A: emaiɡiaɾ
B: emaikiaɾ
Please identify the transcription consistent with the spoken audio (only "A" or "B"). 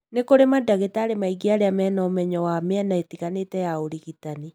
A